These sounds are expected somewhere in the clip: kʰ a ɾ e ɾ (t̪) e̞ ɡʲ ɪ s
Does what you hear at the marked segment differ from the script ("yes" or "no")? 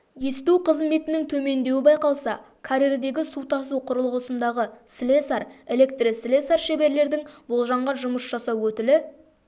yes